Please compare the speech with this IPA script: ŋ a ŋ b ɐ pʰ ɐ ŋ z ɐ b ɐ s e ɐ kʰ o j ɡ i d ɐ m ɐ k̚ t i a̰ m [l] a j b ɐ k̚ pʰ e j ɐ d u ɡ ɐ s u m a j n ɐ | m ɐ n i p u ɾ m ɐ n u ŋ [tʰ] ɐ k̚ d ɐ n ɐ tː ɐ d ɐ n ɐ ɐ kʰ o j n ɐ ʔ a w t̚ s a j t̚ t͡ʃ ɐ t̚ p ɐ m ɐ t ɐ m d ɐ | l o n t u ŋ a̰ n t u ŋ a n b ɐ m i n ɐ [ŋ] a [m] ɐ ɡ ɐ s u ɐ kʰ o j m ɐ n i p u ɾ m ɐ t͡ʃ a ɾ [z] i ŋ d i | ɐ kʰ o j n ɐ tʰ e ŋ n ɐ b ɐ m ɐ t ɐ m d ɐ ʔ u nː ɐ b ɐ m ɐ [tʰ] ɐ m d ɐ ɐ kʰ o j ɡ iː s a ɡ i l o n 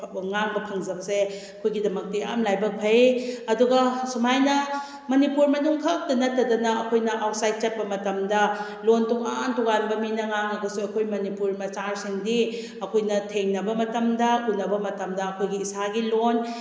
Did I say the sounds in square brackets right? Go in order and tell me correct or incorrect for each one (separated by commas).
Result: correct, incorrect, correct, incorrect, incorrect, incorrect